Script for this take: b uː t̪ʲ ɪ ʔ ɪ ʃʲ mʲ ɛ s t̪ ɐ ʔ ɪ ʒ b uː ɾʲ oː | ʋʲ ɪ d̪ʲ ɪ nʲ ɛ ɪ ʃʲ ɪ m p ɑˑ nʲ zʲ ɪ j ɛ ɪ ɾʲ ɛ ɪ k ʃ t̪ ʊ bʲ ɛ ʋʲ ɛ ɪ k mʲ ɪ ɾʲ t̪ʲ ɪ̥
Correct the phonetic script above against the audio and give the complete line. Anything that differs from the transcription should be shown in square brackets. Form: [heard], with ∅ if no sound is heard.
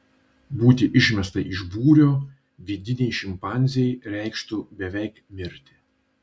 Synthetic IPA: b uː t̪ʲ ɪ ʔ ɪ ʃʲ mʲ ɛ s t̪ ɐ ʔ ɪ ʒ b uː ɾʲ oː | ʋʲ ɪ d̪ʲ ɪ nʲ ɛ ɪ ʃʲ ɪ m p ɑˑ nʲ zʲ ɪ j ɛ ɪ ɾʲ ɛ ɪ k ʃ t̪ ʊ bʲ ɛ ʋʲ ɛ ɪ k mʲ ɪ ɾʲ t̪ʲ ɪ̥